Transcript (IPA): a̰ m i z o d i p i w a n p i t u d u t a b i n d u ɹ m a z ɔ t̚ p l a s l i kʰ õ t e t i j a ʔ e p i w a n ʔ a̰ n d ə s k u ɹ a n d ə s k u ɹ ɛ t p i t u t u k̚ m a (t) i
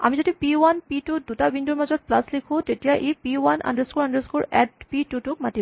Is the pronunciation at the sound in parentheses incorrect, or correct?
correct